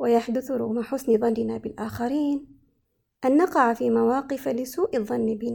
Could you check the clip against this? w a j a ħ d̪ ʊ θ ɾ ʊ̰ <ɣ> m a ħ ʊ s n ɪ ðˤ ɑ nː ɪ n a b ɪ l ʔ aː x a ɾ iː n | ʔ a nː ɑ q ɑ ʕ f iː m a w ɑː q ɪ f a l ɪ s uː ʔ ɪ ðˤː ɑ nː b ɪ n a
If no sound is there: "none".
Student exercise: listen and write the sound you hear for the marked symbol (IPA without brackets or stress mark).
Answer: ɣ